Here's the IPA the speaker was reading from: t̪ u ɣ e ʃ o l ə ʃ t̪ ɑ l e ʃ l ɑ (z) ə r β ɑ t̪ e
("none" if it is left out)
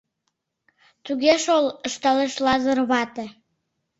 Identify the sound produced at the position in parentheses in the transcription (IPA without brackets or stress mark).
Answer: z